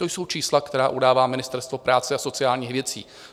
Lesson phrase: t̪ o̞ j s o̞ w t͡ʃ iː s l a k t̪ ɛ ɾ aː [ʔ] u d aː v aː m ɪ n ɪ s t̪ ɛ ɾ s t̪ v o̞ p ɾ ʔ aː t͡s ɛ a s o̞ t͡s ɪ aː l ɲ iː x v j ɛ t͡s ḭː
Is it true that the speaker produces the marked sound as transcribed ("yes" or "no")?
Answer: yes